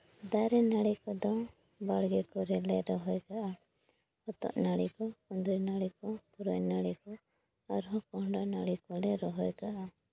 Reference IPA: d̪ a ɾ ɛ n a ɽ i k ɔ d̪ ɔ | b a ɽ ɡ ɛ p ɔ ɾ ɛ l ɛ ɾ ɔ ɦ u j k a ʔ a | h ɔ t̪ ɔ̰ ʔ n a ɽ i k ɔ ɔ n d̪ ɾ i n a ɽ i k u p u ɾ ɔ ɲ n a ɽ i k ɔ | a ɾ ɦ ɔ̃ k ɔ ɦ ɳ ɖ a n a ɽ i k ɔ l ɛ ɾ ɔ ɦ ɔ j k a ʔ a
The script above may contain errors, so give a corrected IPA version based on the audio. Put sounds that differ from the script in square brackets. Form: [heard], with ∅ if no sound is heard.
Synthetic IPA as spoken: d̪ a ɾ ɛ n a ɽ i k ɔ d̪ ɔ | b a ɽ ɡ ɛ [k] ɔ ɾ ɛ l ɛ ɾ ɔ ɦ [ɔ] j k a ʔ a | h ɔ t̪ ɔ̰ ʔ n a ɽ i k ɔ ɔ n d̪ ɾ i n a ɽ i k [ɔ] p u ɾ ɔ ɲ n a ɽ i k ɔ | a ɾ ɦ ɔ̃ k ɔ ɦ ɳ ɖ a n a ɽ i k ɔ l ɛ ɾ ɔ ɦ ɔ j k a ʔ a